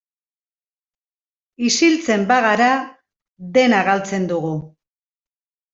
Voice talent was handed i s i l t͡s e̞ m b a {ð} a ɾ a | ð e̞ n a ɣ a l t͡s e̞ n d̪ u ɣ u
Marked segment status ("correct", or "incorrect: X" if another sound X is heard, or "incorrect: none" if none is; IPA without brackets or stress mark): incorrect: ɣ